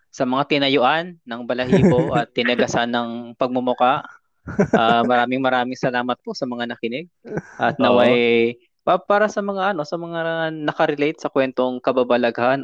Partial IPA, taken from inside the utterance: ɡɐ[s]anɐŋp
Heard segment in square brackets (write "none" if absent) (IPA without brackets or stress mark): s